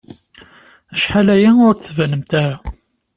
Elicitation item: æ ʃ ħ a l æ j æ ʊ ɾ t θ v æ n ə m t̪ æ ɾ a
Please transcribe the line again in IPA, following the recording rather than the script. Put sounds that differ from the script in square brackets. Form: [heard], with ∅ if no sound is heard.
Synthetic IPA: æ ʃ ħ a l æ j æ ʊ ɾ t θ v æ n ə m t̪ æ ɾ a